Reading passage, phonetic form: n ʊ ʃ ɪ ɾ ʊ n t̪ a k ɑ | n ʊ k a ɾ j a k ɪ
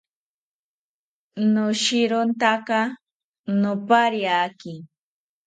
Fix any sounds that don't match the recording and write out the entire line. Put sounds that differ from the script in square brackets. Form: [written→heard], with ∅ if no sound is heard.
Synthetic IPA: n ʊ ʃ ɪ ɾ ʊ n t̪ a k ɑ | n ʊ [k→p] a ɾ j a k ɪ